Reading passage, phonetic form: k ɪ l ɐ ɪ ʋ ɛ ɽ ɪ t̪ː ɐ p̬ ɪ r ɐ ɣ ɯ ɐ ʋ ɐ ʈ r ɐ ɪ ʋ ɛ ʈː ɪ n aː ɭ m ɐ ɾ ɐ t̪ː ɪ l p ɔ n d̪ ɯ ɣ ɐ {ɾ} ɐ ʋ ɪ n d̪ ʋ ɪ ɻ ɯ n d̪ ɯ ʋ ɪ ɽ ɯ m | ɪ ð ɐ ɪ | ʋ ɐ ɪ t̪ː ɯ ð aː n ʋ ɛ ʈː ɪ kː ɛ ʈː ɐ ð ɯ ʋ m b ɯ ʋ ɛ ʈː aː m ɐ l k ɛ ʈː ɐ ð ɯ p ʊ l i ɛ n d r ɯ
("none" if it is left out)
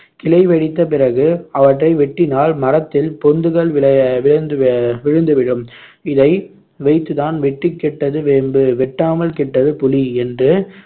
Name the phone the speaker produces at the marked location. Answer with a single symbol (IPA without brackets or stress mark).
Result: ɭ